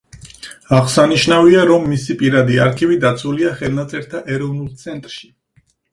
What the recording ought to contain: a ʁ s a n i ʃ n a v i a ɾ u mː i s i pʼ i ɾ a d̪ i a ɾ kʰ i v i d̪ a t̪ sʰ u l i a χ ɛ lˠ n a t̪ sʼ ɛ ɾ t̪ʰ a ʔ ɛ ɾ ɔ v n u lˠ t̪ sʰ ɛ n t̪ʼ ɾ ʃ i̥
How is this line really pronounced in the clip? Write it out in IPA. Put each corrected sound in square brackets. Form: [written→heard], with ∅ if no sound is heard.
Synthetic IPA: a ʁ s a n i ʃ n a v i a ɾ [u→ɔ] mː i s i pʼ i ɾ a d̪ i a ɾ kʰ i v i d̪ a t̪ sʰ u l i a χ ɛ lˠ n a t̪ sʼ ɛ ɾ t̪ʰ a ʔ ɛ ɾ ɔ v n u lˠ t̪ sʰ ɛ n t̪ʼ ɾ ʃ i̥